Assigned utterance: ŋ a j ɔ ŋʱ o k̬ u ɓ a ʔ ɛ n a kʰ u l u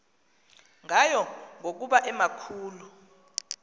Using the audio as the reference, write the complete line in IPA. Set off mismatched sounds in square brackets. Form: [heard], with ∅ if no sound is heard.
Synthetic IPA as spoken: ŋ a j ɔ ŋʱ o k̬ u ɓ a ʔ ɛ [m] a kʰ [uː] l u